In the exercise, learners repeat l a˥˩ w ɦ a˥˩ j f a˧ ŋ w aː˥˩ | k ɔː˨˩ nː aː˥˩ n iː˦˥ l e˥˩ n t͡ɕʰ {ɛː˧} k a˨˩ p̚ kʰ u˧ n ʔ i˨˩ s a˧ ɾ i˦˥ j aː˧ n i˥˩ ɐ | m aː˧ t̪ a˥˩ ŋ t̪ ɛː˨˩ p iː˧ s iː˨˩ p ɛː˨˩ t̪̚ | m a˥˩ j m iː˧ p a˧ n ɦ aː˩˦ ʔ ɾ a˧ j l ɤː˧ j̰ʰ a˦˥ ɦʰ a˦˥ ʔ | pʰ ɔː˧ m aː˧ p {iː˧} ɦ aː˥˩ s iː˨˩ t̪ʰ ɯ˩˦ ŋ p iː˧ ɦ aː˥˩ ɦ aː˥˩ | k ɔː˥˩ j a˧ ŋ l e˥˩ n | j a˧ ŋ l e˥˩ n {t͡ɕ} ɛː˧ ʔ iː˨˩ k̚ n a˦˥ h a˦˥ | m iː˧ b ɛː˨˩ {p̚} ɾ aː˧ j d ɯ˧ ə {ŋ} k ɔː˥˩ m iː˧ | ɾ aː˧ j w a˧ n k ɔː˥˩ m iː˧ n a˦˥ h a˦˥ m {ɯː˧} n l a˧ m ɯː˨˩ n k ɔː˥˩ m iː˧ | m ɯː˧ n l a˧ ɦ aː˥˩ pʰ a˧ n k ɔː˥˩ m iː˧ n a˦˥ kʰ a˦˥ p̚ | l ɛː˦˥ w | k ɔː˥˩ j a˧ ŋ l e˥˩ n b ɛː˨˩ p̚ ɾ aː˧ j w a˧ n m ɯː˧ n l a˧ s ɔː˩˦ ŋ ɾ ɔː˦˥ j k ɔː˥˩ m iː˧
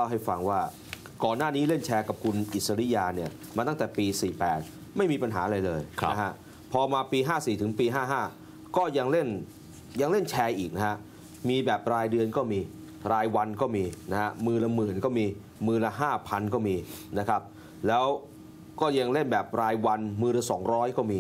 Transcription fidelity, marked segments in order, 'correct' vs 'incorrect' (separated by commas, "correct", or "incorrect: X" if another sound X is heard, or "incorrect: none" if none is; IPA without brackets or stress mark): correct, correct, incorrect: t͡ɕʰ, correct, incorrect: n, correct